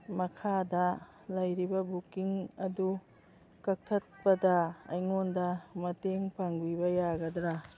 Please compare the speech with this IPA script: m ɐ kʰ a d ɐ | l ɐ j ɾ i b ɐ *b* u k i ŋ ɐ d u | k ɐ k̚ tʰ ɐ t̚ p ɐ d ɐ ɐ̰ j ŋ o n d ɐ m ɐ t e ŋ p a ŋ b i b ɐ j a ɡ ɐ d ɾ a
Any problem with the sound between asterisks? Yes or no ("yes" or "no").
no